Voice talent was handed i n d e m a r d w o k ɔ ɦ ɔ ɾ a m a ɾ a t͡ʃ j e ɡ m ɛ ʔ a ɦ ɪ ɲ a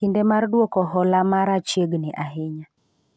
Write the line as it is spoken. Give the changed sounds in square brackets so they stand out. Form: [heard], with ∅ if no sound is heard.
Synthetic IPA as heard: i n d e m a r d w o k ɔ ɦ ɔ [l] a m a ɾ a t͡ʃ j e ɡ [n] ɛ ʔ a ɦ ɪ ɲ a